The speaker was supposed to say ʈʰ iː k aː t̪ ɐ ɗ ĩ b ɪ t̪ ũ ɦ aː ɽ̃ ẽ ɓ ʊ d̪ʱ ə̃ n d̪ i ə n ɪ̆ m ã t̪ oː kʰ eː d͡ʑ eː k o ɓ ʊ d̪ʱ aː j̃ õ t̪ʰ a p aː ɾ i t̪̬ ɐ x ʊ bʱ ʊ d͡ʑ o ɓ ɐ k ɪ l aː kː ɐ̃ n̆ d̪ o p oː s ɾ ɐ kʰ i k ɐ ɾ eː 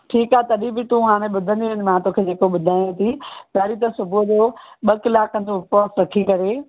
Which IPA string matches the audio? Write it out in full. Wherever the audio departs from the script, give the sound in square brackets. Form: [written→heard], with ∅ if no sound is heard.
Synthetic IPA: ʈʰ iː k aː t̪ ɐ ɗ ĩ b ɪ t̪ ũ ɦ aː ɽ̃ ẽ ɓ ʊ d̪ʱ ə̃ n d̪ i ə n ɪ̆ m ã t̪ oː kʰ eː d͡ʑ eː k o ɓ ʊ d̪ʱ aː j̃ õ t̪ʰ [a→i] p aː ɾ i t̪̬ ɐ [x→s] ʊ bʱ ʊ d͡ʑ o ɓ ɐ k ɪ l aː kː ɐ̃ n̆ d̪ o p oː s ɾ ɐ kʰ i k ɐ ɾ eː